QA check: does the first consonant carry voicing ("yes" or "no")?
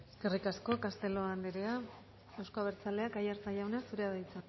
no